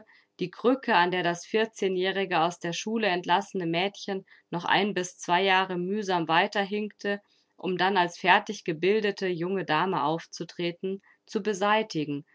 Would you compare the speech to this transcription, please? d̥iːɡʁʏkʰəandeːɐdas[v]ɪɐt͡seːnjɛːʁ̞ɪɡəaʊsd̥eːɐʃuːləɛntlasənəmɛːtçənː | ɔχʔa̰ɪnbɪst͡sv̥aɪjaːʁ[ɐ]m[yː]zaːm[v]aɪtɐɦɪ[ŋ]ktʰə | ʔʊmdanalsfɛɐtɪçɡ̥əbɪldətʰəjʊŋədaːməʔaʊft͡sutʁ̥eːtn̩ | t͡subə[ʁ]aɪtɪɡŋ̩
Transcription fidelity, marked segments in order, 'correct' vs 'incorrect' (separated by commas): incorrect, incorrect, correct, correct, correct, incorrect